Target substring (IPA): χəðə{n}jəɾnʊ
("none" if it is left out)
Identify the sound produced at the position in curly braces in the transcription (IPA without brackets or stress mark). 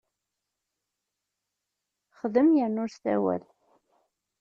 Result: m